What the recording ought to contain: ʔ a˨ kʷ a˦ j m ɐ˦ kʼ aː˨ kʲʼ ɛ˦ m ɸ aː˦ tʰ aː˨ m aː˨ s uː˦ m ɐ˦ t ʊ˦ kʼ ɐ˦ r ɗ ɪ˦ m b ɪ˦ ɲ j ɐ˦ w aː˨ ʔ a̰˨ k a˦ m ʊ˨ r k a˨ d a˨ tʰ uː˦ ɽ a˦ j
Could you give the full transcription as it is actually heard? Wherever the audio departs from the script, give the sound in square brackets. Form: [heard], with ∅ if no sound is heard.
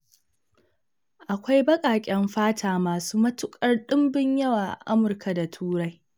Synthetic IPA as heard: ʔ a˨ kʷ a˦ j [b] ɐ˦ kʼ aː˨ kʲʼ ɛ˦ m ɸ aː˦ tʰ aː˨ m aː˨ s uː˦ m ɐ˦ t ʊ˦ kʼ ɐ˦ r ɗ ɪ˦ m b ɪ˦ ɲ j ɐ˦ w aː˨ ʔ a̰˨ [ʔ] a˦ m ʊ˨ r k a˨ d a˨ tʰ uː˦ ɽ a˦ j